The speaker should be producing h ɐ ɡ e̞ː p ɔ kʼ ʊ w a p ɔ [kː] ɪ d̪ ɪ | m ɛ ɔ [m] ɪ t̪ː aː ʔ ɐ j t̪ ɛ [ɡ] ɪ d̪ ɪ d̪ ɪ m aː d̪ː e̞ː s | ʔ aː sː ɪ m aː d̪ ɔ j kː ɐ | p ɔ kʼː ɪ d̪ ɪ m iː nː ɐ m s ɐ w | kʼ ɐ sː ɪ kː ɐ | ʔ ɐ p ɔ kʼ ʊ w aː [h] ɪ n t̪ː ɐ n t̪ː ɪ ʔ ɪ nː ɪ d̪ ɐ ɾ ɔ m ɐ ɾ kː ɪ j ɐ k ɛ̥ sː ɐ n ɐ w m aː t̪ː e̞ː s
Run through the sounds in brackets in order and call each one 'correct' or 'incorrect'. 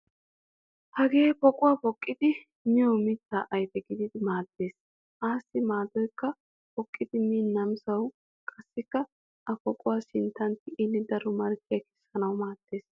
incorrect, correct, correct, incorrect

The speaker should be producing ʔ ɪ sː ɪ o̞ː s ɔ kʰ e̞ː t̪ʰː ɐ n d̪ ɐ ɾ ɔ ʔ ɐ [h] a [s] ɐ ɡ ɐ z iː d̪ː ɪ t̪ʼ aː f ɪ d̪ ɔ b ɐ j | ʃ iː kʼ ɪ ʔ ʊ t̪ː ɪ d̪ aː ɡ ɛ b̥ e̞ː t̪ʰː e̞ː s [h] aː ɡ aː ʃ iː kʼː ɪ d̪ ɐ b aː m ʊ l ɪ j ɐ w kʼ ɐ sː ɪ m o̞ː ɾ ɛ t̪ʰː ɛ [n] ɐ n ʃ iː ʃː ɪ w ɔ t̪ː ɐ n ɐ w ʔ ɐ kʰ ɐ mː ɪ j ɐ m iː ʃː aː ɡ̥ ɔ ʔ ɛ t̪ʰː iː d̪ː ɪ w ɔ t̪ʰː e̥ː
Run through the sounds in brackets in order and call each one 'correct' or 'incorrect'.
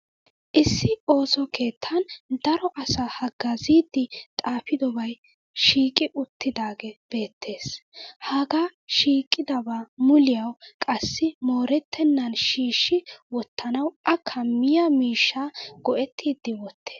incorrect, incorrect, correct, incorrect

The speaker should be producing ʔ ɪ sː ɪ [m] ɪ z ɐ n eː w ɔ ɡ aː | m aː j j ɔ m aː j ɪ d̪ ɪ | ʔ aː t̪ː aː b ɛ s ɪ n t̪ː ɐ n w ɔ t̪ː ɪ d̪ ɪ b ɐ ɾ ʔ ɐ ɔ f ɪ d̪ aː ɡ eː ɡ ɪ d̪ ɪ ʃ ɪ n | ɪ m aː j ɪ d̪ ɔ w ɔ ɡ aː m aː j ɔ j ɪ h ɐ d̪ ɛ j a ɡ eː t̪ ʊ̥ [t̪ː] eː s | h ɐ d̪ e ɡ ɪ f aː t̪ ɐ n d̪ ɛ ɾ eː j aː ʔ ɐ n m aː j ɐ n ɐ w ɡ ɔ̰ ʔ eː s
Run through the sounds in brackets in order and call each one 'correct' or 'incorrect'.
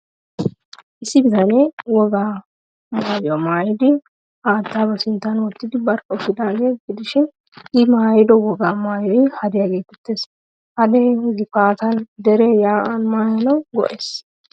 incorrect, correct

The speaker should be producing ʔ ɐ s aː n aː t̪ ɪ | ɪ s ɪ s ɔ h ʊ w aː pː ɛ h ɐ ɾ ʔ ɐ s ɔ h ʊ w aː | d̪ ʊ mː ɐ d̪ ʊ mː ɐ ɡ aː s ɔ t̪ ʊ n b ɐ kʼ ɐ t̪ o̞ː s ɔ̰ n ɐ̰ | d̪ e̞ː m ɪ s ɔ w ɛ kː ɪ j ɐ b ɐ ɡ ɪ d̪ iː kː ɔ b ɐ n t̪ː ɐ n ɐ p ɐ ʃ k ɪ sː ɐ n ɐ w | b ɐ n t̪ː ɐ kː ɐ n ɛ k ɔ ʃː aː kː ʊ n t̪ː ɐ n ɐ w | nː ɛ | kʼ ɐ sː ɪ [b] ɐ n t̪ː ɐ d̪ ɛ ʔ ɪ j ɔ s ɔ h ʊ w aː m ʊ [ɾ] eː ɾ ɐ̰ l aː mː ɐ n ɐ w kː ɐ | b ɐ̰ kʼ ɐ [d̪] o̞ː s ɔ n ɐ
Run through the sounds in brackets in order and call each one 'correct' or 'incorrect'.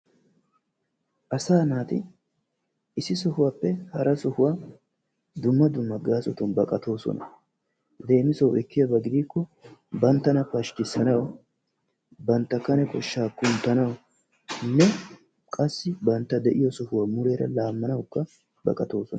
correct, correct, incorrect

